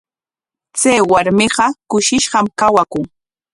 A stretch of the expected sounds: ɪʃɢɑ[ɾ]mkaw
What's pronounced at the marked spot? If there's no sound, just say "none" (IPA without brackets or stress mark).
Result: none